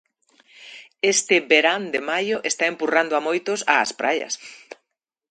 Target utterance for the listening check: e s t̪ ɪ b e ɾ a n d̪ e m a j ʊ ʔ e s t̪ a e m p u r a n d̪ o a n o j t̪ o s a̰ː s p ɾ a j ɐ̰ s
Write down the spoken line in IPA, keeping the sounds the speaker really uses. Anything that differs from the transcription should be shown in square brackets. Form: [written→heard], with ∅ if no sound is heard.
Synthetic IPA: e s t̪ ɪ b e ɾ a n d̪ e m a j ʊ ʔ e s t̪ a e m p u r a n d̪ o a [n→m] o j t̪ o s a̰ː s p ɾ a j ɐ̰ s